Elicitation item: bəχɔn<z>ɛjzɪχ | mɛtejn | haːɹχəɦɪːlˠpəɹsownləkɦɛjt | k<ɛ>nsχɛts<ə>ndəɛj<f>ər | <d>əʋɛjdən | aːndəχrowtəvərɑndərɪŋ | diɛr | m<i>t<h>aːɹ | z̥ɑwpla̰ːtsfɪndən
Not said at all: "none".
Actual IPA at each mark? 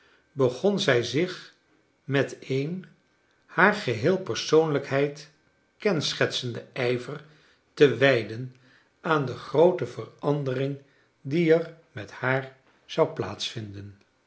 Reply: z, ɛ, ə, v, t, ɛ, h

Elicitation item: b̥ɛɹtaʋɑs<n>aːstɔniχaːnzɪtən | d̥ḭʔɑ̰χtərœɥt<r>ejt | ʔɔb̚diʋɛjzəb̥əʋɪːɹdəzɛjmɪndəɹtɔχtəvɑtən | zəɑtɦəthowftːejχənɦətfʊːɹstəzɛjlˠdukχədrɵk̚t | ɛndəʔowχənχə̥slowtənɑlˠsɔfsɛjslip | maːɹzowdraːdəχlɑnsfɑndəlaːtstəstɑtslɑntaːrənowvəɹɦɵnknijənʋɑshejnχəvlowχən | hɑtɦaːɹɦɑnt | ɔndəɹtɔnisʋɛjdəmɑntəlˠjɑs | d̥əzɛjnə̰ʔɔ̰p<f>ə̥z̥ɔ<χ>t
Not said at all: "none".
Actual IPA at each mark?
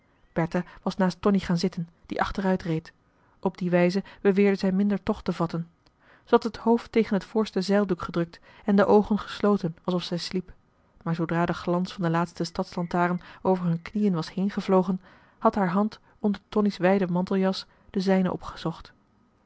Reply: n, r, χ, χ

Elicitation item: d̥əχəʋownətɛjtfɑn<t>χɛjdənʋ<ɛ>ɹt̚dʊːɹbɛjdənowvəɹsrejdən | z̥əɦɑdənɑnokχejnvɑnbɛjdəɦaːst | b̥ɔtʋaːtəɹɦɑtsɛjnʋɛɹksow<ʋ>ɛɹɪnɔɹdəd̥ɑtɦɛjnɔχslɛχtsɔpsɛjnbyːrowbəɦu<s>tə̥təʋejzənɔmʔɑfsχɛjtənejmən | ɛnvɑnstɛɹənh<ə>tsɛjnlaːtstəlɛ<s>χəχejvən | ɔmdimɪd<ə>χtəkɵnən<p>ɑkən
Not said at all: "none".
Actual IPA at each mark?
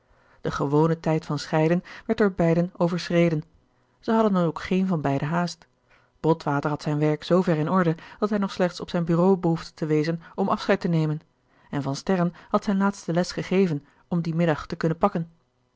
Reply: s, ɛ, v, f, ɑ, s, ɑ, p

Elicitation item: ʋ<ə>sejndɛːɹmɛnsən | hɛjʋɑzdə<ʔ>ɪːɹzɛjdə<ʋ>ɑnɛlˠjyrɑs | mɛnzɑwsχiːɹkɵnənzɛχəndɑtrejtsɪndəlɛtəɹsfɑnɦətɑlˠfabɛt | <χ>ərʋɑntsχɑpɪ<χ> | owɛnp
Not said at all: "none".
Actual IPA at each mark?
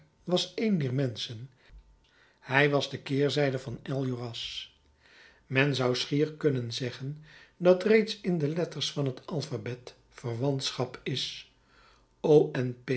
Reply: ɑ, k, v, f, s

